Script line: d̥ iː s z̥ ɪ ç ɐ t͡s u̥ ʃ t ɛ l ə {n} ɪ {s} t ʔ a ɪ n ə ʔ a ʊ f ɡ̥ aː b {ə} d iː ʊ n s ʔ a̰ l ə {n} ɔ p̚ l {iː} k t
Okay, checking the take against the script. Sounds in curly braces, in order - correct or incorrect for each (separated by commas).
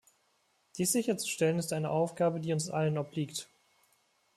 correct, correct, correct, correct, correct